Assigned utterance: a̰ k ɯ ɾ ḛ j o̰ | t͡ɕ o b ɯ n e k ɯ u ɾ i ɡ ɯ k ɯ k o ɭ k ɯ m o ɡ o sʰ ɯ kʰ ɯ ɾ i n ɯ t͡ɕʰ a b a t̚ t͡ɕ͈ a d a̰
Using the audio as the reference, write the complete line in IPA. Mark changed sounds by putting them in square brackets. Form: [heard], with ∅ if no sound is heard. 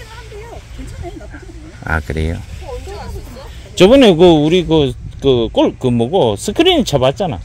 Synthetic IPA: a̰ k ɯ ɾ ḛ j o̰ | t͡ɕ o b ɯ n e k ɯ u ɾ i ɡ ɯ k ɯ k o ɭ k ɯ m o ɡ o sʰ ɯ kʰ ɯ ɾ i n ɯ t͡ɕʰ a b a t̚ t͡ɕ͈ a [n] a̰